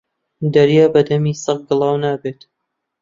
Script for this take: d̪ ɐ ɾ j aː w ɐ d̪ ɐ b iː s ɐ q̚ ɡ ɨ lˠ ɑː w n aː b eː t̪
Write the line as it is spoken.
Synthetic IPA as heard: d̪ ɐ ɾ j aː b ɐ d̪ ɐ m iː s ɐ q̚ ɡ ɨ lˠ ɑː w n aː b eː t̪